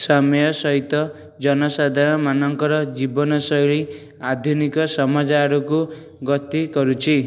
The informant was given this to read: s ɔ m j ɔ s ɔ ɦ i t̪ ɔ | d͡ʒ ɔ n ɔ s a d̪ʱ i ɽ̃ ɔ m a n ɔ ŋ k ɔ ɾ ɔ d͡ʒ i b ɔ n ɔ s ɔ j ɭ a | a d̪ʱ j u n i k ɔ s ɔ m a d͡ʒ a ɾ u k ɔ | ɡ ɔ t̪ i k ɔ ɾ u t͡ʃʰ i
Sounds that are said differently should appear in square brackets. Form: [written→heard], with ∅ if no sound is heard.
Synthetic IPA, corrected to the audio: s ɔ m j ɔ s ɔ ɦ i t̪ ɔ | d͡ʒ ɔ n ɔ s a d̪ʱ [i→a] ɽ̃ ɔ m a n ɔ ŋ k ɔ ɾ ɔ d͡ʒ i b ɔ n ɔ s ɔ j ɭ [a→i] | a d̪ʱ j u n i k ɔ s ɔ m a d͡ʒ a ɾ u k [ɔ→u] | ɡ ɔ t̪ i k ɔ ɾ u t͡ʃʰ i